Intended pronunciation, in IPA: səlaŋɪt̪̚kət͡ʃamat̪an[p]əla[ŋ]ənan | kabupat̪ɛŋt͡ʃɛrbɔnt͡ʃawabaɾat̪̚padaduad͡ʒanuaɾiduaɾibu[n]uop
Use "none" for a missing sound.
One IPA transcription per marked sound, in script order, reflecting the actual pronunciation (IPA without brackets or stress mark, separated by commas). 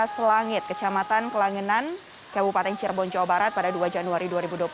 k, ŋ, d